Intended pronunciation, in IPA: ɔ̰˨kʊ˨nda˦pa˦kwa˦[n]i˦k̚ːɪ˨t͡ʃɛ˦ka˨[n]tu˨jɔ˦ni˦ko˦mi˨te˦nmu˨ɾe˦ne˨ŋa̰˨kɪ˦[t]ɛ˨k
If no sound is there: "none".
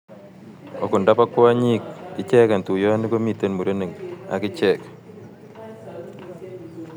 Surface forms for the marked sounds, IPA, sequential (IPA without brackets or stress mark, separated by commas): ɲ, n, t͡ʃ